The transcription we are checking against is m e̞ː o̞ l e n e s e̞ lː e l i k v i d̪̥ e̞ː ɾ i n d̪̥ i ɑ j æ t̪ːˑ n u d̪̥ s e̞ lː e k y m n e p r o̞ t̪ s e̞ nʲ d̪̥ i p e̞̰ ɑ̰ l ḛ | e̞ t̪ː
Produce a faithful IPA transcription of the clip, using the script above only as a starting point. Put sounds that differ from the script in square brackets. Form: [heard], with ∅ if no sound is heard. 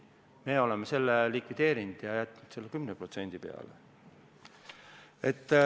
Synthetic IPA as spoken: m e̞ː o̞ l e [m] e s e̞ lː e l i k v i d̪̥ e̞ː ɾ i n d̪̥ [j] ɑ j æ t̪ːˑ n u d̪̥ s e̞ lː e k y m n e p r o̞ t̪ s e̞ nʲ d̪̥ i p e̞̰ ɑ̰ l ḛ | e̞ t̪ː